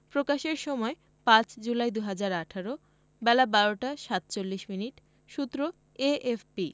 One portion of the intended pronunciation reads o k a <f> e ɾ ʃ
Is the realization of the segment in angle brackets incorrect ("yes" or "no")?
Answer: yes